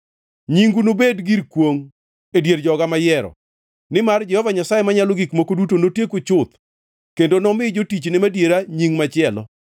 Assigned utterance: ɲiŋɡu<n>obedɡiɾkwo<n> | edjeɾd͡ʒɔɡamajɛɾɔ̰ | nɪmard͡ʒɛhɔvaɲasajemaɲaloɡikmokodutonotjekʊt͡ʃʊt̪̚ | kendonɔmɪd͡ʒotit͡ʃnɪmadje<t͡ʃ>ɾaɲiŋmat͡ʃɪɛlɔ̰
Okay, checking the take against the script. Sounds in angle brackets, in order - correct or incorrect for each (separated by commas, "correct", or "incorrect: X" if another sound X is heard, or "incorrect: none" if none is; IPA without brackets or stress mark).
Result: correct, incorrect: ŋ, incorrect: none